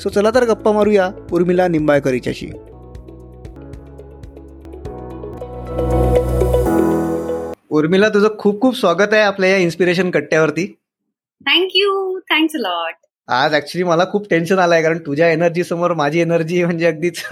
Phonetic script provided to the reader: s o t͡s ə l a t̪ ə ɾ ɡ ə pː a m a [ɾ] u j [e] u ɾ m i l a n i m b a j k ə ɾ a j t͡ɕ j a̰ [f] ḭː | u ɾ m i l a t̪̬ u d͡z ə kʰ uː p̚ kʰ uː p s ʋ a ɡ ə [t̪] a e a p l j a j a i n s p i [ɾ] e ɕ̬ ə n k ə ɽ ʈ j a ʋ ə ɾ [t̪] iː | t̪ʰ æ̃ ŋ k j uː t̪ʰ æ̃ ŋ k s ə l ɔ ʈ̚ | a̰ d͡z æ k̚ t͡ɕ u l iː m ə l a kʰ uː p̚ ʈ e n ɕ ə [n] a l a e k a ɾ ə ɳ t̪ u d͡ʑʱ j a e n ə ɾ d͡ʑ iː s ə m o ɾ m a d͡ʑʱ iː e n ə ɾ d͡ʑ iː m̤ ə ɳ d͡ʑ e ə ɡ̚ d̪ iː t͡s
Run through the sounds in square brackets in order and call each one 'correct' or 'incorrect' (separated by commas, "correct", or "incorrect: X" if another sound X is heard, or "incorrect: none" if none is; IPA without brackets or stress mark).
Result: correct, incorrect: a, incorrect: ɕ, correct, correct, correct, correct